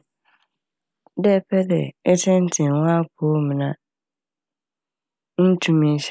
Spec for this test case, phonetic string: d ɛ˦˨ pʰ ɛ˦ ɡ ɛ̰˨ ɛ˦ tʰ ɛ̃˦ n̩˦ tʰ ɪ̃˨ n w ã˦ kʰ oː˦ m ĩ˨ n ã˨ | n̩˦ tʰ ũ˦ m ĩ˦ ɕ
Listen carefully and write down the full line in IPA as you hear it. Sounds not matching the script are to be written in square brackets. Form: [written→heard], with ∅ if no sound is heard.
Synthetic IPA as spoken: d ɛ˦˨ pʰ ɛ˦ [ɡ→d] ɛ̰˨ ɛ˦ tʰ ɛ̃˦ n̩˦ tʰ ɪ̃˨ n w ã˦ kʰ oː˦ m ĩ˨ n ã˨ | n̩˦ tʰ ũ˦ m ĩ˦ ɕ